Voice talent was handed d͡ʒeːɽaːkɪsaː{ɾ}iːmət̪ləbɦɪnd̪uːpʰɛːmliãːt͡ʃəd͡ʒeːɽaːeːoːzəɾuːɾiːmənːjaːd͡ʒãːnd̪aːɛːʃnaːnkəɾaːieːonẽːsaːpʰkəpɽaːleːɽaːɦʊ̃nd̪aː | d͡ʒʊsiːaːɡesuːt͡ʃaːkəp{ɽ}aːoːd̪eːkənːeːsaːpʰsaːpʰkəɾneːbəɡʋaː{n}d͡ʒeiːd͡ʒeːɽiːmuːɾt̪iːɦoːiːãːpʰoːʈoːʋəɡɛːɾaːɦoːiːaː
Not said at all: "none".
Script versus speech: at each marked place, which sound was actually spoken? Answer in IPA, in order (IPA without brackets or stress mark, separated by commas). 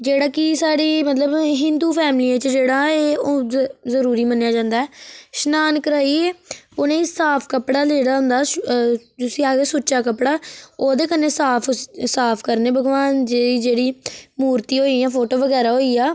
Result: ɽ, ɽ, n